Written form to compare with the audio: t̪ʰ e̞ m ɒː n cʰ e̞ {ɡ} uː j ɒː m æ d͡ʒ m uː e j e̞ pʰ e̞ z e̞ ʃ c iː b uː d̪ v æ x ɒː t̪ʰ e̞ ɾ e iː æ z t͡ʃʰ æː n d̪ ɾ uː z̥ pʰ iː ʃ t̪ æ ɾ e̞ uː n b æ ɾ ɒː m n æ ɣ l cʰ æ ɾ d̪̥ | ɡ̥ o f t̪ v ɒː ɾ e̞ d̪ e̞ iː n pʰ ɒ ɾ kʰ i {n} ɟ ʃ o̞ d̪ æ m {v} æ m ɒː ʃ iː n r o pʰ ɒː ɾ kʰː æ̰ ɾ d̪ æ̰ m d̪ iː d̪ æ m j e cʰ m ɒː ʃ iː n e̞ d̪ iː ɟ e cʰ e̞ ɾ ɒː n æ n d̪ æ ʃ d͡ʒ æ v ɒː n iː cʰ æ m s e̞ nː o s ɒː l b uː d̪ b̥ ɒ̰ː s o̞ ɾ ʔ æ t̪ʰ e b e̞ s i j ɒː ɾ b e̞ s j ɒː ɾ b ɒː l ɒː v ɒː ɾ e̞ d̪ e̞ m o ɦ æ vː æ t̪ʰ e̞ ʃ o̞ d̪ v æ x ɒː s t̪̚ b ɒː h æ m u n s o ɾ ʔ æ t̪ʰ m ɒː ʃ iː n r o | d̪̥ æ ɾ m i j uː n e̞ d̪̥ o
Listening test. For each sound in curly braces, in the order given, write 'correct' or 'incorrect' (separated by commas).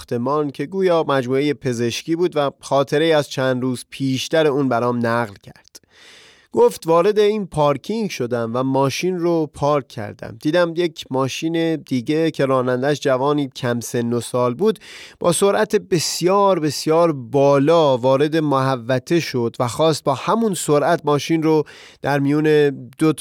correct, incorrect, correct